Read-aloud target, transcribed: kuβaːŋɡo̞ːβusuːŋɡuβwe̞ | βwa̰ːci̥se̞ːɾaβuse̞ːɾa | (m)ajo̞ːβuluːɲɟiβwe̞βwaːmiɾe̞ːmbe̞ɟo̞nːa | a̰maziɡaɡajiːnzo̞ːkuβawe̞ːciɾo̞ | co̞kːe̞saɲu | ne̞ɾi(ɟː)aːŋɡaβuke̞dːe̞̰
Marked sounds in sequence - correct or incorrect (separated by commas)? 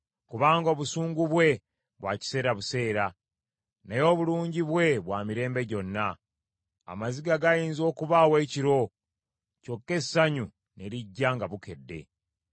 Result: incorrect, correct